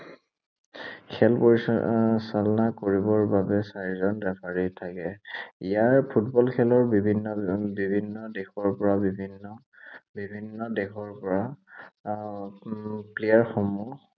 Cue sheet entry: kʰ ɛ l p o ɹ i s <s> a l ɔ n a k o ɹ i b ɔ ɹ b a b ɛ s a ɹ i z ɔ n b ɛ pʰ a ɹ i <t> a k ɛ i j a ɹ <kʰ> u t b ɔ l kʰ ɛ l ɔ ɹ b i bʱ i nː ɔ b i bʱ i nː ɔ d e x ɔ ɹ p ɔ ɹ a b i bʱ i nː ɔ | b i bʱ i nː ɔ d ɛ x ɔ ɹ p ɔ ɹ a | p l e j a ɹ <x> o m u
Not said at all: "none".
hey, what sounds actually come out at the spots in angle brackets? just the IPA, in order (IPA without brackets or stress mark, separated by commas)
s, tʰ, pʰ, x